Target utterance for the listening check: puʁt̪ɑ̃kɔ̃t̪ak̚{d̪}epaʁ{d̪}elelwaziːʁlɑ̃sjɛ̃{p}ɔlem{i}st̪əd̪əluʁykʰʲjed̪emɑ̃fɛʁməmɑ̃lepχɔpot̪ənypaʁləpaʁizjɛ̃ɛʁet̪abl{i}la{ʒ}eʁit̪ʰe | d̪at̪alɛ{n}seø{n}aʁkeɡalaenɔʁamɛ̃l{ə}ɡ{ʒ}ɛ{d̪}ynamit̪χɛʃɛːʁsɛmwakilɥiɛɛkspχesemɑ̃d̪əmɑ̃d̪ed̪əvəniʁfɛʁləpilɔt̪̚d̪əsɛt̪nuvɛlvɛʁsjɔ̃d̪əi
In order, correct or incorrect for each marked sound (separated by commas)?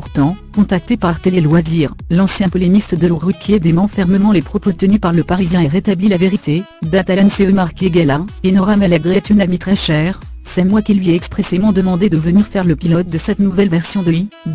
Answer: incorrect, incorrect, correct, correct, correct, incorrect, correct, incorrect, incorrect, incorrect, incorrect